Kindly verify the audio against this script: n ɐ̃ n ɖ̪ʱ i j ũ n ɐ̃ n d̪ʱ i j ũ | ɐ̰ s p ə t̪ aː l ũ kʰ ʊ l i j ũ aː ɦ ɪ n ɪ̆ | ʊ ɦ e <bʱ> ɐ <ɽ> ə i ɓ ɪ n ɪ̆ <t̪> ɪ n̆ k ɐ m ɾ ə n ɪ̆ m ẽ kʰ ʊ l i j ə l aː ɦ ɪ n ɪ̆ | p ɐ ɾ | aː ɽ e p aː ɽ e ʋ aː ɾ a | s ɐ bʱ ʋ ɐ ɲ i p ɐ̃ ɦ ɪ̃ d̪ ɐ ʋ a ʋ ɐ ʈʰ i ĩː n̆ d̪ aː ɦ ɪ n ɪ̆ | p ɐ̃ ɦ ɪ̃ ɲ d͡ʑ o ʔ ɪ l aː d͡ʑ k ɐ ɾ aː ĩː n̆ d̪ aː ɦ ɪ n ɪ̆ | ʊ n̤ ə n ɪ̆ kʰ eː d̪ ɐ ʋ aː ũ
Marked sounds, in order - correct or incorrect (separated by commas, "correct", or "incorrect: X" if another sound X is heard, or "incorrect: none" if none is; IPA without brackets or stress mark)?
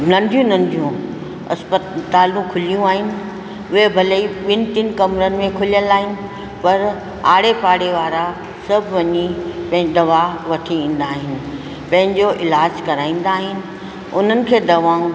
correct, incorrect: l, correct